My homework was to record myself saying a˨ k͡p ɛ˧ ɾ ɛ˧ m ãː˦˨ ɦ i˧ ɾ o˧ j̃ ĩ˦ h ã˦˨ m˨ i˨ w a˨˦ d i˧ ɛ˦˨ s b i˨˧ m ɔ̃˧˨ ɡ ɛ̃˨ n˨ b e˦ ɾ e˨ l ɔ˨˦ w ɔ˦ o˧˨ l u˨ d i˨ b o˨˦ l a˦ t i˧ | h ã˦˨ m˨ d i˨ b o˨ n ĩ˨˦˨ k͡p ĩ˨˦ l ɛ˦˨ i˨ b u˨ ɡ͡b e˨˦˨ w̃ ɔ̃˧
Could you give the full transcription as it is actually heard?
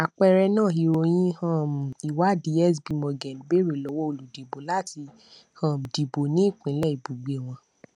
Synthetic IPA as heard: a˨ k͡p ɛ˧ ɾ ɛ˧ n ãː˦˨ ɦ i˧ ɾ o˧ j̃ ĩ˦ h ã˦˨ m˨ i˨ w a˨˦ d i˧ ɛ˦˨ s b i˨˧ m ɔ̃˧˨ ɡ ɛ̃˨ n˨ b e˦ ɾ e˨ l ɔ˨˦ w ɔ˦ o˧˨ l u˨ d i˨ b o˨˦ l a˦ t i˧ | h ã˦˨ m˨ d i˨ b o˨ n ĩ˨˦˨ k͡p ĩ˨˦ l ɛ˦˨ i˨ b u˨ ɡ͡b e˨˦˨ w̃ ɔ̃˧